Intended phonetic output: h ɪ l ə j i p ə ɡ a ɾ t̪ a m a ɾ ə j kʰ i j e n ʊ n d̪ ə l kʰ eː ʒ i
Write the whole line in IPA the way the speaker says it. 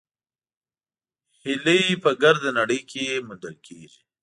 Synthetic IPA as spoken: h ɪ l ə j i p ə ɡ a ɾ d̪ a n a ɽ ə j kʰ e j e m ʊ n d̪ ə l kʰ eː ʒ i